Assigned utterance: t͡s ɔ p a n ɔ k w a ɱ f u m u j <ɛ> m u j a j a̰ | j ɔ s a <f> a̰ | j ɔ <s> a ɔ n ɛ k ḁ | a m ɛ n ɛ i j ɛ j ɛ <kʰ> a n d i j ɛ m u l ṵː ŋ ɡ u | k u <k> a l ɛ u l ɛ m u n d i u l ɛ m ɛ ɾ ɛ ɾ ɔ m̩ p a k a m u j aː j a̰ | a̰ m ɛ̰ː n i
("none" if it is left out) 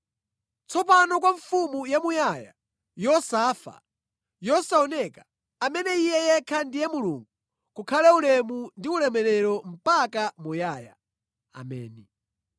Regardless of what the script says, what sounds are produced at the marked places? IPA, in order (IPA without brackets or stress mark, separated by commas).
a, f, s, kʰ, kʰ